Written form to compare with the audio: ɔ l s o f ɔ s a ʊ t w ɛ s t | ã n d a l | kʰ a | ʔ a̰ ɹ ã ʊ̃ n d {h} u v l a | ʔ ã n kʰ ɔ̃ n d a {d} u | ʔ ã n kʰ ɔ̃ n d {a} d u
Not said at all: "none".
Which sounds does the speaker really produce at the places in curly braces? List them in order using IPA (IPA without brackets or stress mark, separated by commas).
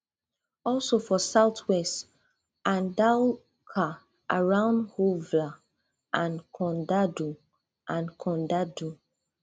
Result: h, d, a